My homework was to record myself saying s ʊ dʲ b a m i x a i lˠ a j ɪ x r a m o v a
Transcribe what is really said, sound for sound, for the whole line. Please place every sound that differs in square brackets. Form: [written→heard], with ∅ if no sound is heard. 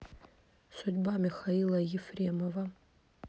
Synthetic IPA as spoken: s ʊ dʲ b a m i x a i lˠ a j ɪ [x→f] r [a→e] m o v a